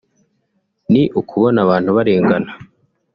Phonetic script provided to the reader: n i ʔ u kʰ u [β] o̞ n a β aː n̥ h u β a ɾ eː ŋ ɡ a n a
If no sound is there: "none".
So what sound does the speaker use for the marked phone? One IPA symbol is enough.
β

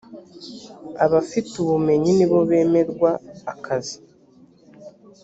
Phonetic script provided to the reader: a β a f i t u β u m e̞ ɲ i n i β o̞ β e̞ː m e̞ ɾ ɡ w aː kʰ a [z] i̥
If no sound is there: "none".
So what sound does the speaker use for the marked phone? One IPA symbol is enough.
z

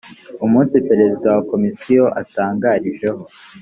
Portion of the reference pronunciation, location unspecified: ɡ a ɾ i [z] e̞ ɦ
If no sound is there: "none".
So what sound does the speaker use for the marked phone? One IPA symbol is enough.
ʒ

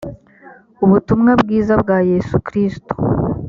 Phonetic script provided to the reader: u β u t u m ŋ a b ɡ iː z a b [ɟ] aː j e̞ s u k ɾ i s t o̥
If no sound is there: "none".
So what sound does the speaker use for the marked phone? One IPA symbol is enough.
ɡ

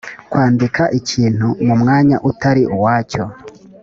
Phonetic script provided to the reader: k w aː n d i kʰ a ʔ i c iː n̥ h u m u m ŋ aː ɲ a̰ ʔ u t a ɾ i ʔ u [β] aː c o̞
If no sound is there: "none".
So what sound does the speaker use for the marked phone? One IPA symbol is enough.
w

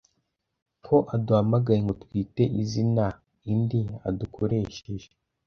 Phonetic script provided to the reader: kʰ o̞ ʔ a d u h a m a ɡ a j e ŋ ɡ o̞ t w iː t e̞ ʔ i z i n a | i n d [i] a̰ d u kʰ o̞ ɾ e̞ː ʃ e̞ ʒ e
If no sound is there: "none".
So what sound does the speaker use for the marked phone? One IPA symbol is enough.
i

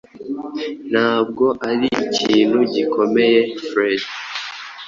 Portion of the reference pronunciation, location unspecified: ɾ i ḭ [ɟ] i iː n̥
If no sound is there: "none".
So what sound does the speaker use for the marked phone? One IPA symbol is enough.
c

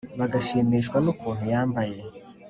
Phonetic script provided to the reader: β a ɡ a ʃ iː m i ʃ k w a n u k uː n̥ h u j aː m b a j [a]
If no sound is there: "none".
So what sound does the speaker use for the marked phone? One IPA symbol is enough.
e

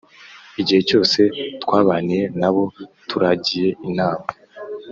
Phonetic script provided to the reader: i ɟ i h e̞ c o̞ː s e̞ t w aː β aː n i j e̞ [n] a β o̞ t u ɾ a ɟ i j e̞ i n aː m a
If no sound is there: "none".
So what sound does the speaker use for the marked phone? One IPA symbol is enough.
n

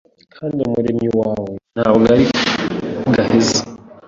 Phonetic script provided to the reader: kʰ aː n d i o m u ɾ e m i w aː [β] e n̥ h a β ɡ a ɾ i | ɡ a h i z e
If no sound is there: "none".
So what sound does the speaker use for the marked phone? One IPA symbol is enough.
w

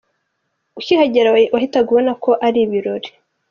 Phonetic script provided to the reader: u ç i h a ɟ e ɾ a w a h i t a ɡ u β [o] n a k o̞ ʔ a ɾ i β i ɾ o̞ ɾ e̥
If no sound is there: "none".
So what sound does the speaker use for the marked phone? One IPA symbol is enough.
o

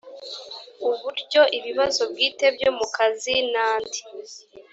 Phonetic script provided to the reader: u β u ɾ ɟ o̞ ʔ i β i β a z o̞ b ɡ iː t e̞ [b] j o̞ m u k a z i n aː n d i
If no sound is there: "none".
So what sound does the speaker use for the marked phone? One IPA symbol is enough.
b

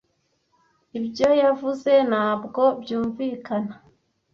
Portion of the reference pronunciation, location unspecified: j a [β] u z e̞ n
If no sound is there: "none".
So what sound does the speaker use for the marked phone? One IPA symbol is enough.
v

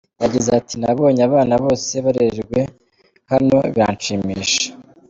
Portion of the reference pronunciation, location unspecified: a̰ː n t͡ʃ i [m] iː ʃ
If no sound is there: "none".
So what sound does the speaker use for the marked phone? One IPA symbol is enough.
m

